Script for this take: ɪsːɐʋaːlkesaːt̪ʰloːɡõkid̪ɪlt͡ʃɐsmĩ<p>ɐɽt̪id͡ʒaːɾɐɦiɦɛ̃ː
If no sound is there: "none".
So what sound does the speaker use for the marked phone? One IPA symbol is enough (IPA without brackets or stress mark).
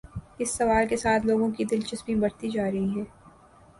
b